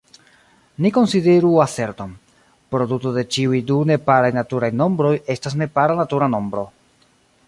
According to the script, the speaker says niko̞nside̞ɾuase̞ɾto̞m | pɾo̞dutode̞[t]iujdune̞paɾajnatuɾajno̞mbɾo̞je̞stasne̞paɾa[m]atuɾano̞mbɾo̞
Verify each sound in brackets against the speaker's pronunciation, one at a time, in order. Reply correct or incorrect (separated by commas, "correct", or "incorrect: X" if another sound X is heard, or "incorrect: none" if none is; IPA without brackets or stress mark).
incorrect: t͡ʃ, incorrect: n